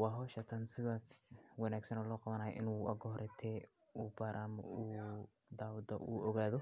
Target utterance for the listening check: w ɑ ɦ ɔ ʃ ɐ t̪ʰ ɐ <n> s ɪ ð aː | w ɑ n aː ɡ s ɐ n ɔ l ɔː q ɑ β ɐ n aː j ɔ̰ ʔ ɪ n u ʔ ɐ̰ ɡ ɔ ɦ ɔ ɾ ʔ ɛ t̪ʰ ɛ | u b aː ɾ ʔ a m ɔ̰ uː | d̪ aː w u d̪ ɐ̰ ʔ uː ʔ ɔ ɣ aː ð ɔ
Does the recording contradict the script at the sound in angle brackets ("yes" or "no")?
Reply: no